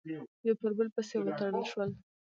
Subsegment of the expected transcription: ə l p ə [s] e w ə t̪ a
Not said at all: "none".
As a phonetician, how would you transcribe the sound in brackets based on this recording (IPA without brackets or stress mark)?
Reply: s